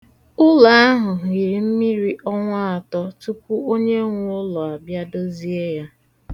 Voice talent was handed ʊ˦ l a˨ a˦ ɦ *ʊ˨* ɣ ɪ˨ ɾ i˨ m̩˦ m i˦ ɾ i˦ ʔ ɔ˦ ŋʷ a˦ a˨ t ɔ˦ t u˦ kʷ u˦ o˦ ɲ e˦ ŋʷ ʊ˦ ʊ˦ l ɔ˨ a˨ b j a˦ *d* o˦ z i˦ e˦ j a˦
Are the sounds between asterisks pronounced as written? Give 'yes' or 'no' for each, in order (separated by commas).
yes, yes